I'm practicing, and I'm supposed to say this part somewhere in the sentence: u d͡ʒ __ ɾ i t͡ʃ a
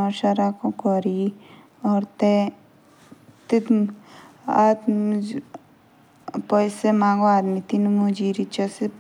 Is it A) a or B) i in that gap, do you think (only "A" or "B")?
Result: B